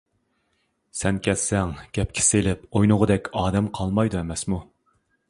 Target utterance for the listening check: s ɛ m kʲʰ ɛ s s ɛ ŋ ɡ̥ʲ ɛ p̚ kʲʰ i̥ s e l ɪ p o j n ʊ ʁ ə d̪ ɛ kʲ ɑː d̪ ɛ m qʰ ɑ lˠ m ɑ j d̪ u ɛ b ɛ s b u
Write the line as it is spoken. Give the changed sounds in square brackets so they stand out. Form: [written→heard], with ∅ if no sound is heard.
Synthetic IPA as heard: s ɛ [m→n] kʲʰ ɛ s s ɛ ŋ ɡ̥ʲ ɛ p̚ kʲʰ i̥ s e l ɪ p o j n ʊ ʁ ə d̪ ɛ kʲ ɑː d̪ ɛ m qʰ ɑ lˠ m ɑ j d̪ u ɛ [b→m] ɛ s [b→m] u